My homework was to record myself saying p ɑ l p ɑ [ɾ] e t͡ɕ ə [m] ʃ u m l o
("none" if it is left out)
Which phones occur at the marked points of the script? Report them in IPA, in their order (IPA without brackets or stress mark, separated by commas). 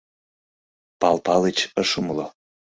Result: l, none